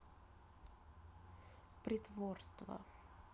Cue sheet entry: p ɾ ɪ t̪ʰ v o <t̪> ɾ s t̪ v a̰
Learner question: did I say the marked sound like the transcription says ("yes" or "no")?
no